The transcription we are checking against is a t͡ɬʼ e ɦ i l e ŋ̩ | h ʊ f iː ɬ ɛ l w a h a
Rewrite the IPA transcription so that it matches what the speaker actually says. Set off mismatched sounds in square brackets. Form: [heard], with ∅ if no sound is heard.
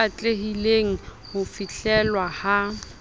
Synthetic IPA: a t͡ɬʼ e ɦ i l e ŋ̩ | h ʊ f [i] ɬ ɛ l w a h a